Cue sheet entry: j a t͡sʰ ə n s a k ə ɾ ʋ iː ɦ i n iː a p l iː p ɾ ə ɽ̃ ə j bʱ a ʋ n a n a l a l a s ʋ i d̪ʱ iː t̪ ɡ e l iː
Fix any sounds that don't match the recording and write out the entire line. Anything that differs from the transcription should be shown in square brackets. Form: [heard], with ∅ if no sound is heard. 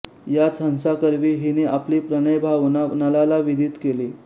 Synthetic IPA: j a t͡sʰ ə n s a k ə ɾ ʋ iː ɦ i n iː a p l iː p ɾ ə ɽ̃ ə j bʱ a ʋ n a n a l a l a [∅] ʋ i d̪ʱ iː t̪ [k] e l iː